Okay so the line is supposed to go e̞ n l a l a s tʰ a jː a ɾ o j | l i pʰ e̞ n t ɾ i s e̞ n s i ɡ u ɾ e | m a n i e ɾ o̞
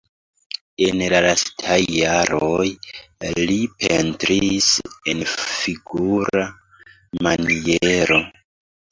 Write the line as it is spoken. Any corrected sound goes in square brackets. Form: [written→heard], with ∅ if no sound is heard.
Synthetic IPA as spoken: e̞ n l a l a s tʰ a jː a ɾ o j | l i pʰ e̞ n t ɾ i s e̞ n [s→f] i ɡ u ɾ [e→a] | m a n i e ɾ o̞